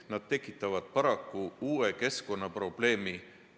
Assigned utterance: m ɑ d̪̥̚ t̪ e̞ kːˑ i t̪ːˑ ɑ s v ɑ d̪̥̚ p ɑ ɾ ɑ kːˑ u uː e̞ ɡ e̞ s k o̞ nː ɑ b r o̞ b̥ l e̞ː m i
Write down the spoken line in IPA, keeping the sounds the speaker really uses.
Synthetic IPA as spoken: n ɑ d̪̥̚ t̪ e̞ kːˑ i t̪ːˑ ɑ v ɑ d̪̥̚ p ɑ ɾ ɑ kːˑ u uː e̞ k e̞ s k o̞ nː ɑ p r o̞ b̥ l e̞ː m i